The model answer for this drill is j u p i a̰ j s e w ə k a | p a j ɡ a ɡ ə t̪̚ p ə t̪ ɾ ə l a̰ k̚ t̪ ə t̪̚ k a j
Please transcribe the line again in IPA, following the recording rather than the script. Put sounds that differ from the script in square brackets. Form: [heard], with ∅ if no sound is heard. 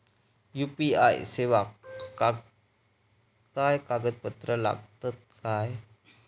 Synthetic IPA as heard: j u p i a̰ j s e w [a] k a | [k] a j [k] a ɡ ə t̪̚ p ə t̪ ɾ ə l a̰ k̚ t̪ ə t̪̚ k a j

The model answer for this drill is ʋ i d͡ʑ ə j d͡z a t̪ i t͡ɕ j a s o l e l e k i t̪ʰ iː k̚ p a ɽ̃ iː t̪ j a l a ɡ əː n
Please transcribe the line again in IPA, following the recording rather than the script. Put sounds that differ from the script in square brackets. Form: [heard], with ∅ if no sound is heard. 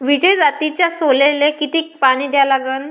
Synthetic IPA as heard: ʋ i d͡ʑ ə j d͡z a t̪ i t͡ɕ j a s o l e l e k i [t̪] iː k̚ p a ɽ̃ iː [d̪] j a l a ɡ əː n

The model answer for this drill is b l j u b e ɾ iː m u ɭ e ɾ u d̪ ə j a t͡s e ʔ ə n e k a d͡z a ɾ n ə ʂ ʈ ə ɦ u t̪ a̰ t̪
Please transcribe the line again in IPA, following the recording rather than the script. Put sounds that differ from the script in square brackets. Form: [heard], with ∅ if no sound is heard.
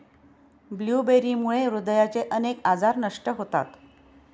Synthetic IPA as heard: b l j u b e ɾ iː m u ɭ e ɾ u d̪ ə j a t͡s e ʔ ə n e k a d͡z a ɾ n ə ʂ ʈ ə ɦ [o] t̪ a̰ t̪

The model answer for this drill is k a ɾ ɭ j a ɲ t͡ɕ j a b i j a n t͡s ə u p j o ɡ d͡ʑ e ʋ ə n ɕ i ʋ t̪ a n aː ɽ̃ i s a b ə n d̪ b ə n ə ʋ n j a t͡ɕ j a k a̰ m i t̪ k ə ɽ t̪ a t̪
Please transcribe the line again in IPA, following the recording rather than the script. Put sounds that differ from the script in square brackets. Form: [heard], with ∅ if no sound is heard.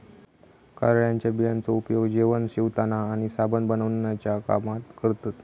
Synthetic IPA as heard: k a ɾ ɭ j a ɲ t͡ɕ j a b i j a n t͡s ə u p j o ɡ d͡ʑ e ʋ ə n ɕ i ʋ t̪ a n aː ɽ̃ i s a b ə n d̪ b ə n ə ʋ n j a t͡ɕ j a k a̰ m [a] t̪ k ə [ɾ] t̪ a t̪

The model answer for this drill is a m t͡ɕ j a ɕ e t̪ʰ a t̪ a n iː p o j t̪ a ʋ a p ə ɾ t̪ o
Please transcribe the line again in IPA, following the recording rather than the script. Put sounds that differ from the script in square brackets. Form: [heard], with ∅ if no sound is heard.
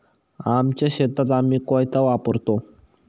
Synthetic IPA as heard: a m t͡ɕ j a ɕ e [t̪] a t̪ a [m] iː [k] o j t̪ a ʋ a p ə ɾ t̪ o

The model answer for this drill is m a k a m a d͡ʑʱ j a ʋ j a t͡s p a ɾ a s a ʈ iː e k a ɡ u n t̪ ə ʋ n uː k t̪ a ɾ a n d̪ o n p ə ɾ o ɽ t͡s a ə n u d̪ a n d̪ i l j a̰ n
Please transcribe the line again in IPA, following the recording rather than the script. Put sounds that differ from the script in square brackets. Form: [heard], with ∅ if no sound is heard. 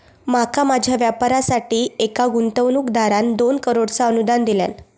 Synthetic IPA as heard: m a k a m a d͡ʑʱ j a ʋ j a [∅] p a ɾ a s a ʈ iː e k a ɡ u n t̪ ə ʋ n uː k [d̪] a ɾ a n d̪ o n [k] ə ɾ o ɽ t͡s a ə n u d̪ a n d̪ i l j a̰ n

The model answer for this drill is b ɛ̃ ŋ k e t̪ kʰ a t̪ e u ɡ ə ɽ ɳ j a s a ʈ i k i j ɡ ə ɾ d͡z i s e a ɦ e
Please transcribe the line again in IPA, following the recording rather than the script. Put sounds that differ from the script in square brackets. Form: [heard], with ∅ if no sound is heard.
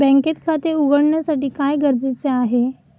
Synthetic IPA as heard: b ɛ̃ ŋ k e t̪ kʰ a t̪ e u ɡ ə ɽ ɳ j a s a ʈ [iː] k [a] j ɡ ə ɾ d͡z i [t͡s] e a ɦ e

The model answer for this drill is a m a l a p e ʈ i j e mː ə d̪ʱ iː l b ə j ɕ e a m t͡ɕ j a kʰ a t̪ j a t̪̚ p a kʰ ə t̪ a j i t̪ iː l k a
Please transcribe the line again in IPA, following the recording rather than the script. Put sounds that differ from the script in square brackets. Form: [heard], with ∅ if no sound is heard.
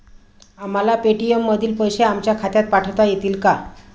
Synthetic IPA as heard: a m a l a p e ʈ i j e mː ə d̪ʱ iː l [p] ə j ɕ e a m t͡ɕ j a kʰ a t̪ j a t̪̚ p a [ʈʰ] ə t̪ a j [e] t̪ iː l k a

